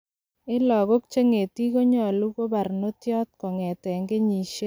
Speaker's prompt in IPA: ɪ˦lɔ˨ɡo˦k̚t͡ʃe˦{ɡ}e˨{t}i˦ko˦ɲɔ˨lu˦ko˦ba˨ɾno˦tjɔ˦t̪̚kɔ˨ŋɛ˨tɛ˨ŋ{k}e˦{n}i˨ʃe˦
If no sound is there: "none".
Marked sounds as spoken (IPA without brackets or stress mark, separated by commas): ŋ, t, ɡ, ɲ